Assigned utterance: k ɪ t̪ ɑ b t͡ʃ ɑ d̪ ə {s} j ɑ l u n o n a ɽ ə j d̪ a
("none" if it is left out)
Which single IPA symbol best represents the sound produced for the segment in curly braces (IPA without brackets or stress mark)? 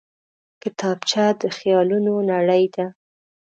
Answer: x